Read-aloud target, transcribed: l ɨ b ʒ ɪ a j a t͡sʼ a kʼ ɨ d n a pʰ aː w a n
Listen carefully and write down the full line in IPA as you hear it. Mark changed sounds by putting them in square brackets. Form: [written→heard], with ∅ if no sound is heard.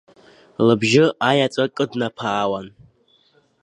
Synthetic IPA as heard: l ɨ b ʒ ɪ a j a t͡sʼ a kʼ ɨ d n a pʰ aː w a n